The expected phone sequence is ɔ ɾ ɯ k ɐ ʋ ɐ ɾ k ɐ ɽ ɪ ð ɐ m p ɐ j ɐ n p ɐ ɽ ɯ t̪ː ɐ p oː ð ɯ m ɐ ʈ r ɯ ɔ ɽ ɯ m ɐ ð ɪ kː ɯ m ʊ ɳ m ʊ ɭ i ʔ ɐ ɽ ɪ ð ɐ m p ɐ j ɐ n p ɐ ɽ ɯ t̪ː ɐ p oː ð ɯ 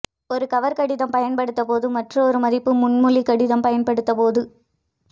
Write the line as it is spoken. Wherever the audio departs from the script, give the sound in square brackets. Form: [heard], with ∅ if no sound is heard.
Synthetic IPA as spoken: ɔ ɾ ɯ k ɐ ʋ ɐ ɾ k ɐ ɽ ɪ ð ɐ m p ɐ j ɐ n p ɐ ɽ ɯ t̪ː ɐ p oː ð ɯ m ɐ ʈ r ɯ ɔ [ɾ] ɯ m ɐ ð ɪ [pː] ɯ m ʊ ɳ m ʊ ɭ i [k] ɐ ɽ ɪ ð ɐ m p ɐ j ɐ n p ɐ ɽ ɯ t̪ː ɐ p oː ð ɯ

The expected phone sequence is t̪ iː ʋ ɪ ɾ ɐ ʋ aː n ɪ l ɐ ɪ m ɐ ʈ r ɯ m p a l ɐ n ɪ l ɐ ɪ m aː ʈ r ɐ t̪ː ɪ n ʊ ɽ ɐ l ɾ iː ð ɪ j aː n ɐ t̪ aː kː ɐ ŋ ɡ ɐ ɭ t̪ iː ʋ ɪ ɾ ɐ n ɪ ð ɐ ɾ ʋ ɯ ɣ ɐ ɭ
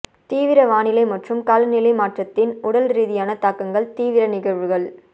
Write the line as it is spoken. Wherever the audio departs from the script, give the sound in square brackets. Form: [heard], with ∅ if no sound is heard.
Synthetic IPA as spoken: t̪ iː ʋ ɪ ɾ ɐ ʋ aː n ɪ l ɐ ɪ m ɐ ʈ r ɯ m [k] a l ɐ n ɪ l ɐ ɪ m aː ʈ r ɐ t̪ː ɪ n ʊ ɽ ɐ l ɾ iː ð ɪ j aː n ɐ t̪ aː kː ɐ ŋ ɡ ɐ ɭ t̪ iː ʋ ɪ ɾ ɐ n ɪ [ɣ] ɐ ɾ ʋ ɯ ɣ ɐ ɭ

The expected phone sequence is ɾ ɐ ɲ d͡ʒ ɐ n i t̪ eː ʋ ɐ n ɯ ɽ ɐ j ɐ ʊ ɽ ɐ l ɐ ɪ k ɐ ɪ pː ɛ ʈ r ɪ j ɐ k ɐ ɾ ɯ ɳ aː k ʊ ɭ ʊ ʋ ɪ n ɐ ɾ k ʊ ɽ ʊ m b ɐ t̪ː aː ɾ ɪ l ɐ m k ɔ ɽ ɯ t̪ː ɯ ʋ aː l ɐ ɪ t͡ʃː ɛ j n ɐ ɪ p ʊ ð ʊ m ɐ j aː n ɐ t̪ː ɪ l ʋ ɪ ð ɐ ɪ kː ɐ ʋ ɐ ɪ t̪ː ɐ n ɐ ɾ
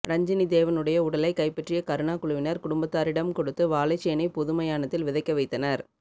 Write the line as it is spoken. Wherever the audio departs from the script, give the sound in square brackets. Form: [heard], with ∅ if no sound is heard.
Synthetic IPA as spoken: ɾ ɐ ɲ d͡ʒ ɐ n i [d̪] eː ʋ ɐ n ɯ ɽ ɐ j ɐ ʊ ɽ ɐ l ɐ ɪ k ɐ ɪ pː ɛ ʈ r ɪ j ɐ k ɐ ɾ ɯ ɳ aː k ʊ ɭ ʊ ʋ ɪ n ɐ ɾ k ʊ ɽ ʊ m b ɐ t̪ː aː ɾ ɪ [ɽ] ɐ m k ɔ ɽ ɯ t̪ː ɯ ʋ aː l ɐ ɪ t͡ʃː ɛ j n ɐ ɪ p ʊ ð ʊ m ɐ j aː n ɐ t̪ː ɪ l ʋ ɪ ð ɐ ɪ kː ɐ ʋ ɐ ɪ t̪ː ɐ n ɐ ɾ

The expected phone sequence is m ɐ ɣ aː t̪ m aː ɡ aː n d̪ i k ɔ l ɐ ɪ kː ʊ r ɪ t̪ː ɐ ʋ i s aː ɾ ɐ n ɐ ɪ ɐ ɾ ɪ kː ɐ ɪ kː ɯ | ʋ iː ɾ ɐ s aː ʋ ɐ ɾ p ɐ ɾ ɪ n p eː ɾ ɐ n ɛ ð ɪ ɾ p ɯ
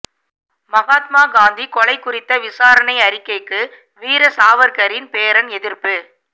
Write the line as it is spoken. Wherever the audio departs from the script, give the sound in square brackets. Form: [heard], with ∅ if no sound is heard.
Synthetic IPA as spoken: m ɐ ɣ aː t̪ m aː ɡ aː n d̪ i k ɔ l ɐ ɪ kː ʊ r ɪ t̪ː ɐ ʋ [ɪ] s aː ɾ ɐ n ɐ ɪ ɐ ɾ ɪ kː ɐ ɪ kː ɯ | ʋ iː ɾ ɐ s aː ʋ ɐ ɾ [k] ɐ ɾ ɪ n p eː ɾ ɐ n ɛ ð ɪ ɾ p ɯ

